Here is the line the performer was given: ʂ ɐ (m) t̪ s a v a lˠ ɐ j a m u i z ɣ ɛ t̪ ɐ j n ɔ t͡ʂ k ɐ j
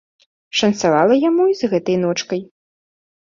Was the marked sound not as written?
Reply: yes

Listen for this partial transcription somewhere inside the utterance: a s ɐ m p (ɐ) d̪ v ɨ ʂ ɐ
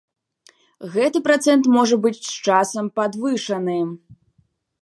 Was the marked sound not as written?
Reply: yes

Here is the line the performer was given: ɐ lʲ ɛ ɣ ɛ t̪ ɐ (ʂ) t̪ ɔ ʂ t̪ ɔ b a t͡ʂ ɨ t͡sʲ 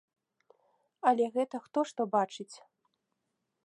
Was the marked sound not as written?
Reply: yes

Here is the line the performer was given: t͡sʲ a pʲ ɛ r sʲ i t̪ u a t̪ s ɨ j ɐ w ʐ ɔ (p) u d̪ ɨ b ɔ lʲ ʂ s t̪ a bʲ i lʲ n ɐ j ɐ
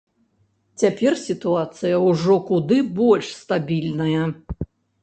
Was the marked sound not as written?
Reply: yes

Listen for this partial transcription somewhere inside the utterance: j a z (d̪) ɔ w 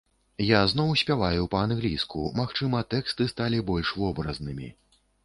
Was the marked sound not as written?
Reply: yes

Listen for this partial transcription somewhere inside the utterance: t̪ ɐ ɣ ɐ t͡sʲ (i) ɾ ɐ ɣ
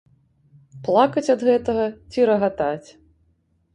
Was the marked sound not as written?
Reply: no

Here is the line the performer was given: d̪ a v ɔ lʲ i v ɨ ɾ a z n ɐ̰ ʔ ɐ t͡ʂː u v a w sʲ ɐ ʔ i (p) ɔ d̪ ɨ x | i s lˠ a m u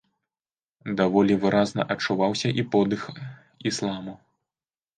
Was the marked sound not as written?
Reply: no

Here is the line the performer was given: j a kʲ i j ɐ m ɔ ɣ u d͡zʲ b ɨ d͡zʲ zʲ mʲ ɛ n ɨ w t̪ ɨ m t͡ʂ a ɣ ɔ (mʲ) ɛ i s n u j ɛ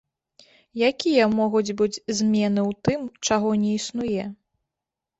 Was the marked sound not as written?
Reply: yes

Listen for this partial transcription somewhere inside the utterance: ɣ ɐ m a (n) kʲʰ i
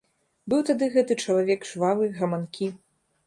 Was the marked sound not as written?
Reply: no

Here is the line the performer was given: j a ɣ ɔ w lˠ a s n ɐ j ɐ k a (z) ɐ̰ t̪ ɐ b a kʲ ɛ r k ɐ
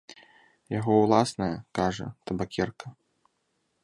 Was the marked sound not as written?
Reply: yes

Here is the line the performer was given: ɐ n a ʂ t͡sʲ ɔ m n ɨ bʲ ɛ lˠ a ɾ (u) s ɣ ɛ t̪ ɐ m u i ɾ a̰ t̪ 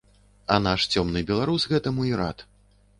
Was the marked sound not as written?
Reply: no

